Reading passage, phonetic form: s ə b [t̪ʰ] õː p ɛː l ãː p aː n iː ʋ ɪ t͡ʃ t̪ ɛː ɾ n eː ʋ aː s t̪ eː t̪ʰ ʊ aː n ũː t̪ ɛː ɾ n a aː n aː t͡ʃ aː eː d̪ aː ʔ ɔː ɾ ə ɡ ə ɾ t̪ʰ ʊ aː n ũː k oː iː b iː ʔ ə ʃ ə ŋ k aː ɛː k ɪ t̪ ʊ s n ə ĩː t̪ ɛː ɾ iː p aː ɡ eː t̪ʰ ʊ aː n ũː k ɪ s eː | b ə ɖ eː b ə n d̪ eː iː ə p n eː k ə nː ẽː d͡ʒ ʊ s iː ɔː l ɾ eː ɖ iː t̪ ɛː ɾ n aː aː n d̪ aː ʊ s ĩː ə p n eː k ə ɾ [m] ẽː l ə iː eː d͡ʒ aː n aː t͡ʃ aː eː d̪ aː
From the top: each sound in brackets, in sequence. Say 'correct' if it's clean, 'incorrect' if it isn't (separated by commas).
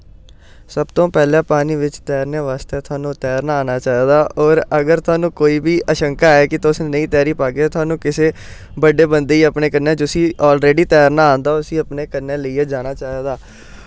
incorrect, incorrect